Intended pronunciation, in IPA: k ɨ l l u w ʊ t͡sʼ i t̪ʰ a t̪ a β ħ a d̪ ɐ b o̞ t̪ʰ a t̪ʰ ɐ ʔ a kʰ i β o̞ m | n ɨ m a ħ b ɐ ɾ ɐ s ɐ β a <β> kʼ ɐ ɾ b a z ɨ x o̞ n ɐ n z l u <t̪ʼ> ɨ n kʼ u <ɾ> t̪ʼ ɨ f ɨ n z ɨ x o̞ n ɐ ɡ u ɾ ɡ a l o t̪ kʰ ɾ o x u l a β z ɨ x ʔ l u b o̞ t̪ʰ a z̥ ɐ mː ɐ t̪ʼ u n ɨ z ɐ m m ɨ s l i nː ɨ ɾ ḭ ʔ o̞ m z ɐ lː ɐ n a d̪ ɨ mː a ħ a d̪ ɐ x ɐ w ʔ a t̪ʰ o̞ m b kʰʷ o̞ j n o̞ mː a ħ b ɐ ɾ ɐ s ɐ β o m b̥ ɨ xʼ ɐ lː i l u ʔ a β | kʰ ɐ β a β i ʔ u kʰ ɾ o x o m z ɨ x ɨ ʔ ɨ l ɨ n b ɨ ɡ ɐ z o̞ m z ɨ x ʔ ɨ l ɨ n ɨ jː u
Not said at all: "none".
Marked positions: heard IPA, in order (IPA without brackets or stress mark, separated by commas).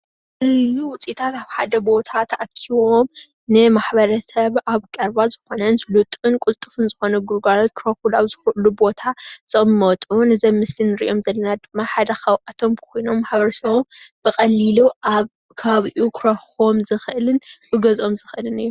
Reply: β, t̪ʼ, l